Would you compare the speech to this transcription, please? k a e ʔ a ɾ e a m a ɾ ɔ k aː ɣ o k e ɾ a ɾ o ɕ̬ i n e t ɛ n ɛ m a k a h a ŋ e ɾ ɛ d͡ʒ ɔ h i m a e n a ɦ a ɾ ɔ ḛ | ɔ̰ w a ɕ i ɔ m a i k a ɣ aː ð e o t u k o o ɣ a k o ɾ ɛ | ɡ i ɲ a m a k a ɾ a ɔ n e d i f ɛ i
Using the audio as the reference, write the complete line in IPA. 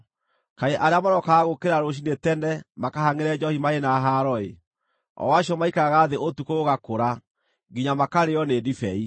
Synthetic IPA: k a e ʔ a ɾ e a m a ɾ ɔ k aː ɣ o k e ɾ a ɾ o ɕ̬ i n e t ɛ n ɛ m a k a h a ŋ e ɾ ɛ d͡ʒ ɔ h i m a e n a ɦ a ɾ ɔ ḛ | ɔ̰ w a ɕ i ɔ m a i k a ɣ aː ð e o t u k o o ɣ a k o ɾ a | ɡ i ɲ a m a k a ɾ e ɔ n e d i f ɛ i